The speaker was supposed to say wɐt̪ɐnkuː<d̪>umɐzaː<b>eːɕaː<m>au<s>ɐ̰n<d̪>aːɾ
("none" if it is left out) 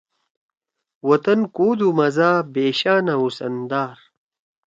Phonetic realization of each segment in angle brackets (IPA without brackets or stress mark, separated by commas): d̪, b, n, s, d̪